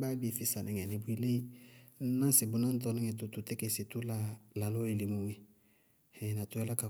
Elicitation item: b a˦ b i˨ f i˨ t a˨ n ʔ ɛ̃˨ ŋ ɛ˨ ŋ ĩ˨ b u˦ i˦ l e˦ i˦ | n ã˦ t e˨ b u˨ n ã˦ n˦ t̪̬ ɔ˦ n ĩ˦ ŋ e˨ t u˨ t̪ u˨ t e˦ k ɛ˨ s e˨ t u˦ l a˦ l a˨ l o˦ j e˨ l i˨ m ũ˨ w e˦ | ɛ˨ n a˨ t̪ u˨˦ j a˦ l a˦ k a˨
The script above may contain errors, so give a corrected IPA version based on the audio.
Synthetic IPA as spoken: b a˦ b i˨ f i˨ s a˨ n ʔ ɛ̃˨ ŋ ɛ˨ n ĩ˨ b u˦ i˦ l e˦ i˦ | n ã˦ s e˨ b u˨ n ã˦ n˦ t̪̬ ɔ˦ n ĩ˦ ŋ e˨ t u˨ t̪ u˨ t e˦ k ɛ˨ s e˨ t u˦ l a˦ l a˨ l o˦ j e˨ l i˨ m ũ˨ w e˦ | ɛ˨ n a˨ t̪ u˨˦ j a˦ l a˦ k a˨